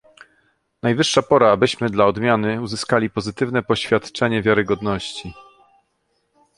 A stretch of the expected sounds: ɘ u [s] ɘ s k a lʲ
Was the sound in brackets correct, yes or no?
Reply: no